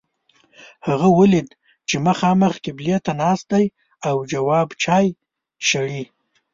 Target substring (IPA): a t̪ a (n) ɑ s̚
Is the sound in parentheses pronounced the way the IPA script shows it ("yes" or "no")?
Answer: yes